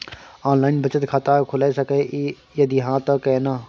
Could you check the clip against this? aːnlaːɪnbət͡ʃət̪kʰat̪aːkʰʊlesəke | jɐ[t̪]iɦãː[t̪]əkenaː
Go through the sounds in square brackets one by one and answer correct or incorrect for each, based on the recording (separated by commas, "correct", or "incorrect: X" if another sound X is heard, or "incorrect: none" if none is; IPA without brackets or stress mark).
incorrect: d̪, correct